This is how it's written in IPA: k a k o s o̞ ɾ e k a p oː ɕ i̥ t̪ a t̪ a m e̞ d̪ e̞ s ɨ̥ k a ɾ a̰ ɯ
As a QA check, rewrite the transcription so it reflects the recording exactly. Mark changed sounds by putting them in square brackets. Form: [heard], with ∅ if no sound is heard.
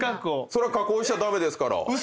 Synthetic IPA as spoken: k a k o s o̞ ɾ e k a [k] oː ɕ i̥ t̪ a [d̪] a m e̞ d̪ e̞ s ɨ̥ k a ɾ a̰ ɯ